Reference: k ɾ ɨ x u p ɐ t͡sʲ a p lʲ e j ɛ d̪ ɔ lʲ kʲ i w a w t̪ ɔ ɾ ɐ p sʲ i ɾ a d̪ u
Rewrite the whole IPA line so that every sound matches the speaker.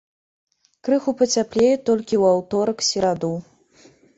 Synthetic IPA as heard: k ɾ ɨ x u p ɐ t͡sʲ a p lʲ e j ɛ t̪ ɔ lʲ kʲ i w a w t̪ ɔ ɾ ɐ k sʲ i ɾ a d̪ u